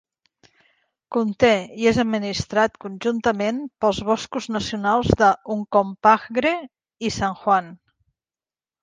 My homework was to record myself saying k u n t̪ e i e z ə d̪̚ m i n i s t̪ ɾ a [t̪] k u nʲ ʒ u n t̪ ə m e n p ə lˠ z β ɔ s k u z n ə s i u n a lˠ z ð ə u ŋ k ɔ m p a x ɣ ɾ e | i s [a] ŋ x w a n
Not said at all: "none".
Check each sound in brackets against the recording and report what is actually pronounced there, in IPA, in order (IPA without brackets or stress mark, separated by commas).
t̪, a